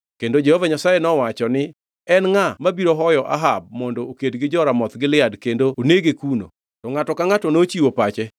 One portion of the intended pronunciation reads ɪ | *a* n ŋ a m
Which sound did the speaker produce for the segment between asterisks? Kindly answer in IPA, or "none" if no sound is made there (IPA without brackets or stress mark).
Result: ɛ